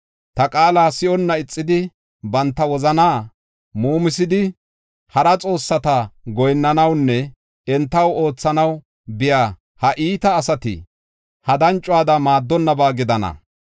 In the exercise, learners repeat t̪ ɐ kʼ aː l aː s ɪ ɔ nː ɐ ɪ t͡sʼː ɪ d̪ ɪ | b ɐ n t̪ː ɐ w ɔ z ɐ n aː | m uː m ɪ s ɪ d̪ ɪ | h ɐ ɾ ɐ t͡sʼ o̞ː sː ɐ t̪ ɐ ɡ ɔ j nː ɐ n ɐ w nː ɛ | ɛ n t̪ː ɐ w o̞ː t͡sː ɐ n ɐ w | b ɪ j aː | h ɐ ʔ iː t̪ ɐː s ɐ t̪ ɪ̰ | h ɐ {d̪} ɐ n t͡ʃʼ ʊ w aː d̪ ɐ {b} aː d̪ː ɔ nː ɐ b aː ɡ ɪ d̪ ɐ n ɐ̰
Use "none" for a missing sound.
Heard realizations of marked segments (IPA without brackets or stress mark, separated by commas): d̪, m